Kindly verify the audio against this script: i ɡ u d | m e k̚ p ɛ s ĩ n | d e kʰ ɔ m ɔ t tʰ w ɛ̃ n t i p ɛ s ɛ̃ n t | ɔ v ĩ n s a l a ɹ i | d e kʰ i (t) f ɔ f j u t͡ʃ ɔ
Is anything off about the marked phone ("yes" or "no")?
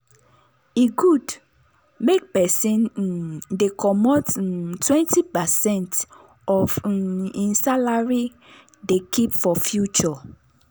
yes